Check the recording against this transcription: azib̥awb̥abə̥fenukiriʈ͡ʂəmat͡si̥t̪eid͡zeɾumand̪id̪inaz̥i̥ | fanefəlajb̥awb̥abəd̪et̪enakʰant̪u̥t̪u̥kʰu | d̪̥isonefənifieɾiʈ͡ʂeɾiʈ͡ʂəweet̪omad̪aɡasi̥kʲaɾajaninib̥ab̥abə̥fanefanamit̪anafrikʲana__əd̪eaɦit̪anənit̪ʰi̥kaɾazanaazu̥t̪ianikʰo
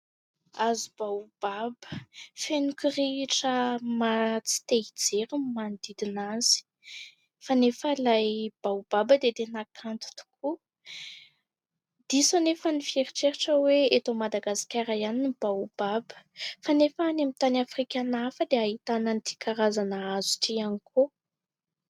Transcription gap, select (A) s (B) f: B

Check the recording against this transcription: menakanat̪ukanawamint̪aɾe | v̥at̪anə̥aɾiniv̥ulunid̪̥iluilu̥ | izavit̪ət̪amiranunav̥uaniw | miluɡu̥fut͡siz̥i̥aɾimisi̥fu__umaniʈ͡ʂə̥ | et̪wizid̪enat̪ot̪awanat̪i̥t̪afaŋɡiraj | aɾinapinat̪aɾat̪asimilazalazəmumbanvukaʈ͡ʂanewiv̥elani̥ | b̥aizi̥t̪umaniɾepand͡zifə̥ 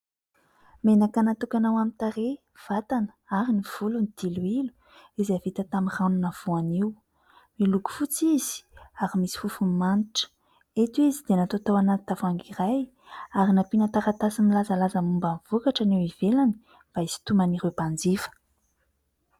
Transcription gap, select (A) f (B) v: A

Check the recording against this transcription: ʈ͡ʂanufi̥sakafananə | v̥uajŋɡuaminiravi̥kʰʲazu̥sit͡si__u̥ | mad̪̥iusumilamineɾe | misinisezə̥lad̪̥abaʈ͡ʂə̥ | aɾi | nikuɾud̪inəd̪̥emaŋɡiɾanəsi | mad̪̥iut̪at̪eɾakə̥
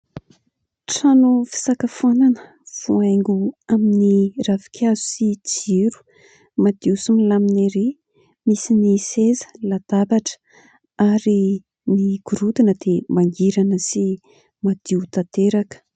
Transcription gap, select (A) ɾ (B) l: A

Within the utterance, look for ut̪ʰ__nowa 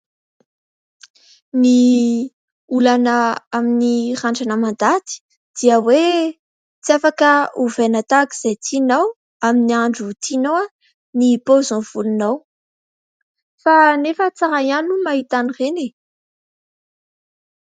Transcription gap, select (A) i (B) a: A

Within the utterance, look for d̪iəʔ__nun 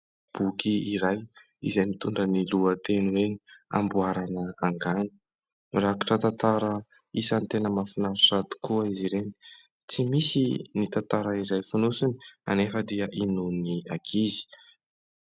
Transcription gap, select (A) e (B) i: B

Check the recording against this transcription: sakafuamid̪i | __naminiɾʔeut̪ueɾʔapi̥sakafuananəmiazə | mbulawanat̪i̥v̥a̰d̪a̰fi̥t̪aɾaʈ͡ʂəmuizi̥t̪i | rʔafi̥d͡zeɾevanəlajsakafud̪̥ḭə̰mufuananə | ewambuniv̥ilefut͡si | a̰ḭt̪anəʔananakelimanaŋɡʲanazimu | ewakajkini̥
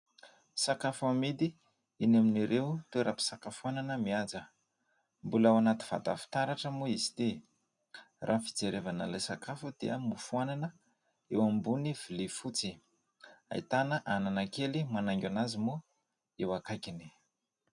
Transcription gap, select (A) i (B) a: A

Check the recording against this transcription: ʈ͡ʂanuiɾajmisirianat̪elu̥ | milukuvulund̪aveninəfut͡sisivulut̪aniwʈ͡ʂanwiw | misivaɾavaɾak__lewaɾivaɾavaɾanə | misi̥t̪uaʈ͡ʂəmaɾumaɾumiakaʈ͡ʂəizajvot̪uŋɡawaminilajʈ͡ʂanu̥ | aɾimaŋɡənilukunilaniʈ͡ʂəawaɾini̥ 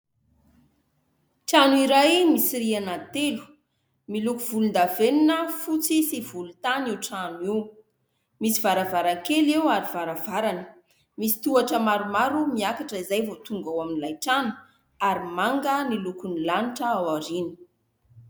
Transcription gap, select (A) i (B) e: B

